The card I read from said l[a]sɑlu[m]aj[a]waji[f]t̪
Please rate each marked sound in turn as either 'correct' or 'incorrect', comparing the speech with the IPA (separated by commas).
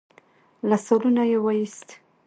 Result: correct, incorrect, incorrect, incorrect